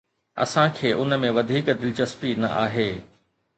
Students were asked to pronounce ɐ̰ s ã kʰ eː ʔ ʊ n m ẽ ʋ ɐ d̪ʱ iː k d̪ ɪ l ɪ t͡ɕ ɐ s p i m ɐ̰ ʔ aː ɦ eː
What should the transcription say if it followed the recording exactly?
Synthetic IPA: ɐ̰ s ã kʰ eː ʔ ʊ n m ẽ ʋ ɐ d̪ʱ iː k d̪ ɪ l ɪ t͡ɕ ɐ s p i n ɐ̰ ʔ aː ɦ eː

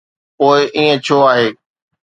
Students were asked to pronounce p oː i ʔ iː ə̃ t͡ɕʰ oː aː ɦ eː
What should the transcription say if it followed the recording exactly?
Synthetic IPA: p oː ɪ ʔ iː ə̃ t͡ɕʰ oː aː ɦ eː

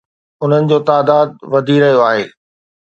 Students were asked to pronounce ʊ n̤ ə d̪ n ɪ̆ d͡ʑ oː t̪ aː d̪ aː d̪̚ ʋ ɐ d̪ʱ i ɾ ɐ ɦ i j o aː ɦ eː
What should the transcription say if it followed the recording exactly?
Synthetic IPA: ʊ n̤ ə n ɪ̆ d͡ʑ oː t̪ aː d̪ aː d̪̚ ʋ ɐ d̪ʱ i ɾ ɐ ɦ i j o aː ɦ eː

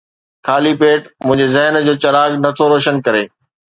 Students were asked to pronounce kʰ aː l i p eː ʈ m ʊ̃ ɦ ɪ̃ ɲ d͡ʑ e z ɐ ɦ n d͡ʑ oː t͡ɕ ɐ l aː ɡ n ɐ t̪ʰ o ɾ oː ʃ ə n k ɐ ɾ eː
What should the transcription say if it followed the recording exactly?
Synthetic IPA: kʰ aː l i p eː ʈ m ʊ̃ ɦ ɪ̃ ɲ d͡ʑ e z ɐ ɦ n d͡ʑ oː t͡ɕ ɐ ɾ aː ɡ n ɐ t̪ʰ o ɾ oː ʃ ə n k ɐ ɾ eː

